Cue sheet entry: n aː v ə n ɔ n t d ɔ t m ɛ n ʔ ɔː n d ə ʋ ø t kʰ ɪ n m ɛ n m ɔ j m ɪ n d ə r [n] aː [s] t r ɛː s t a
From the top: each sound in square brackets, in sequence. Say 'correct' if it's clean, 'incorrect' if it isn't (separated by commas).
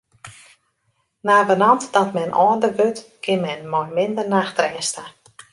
correct, incorrect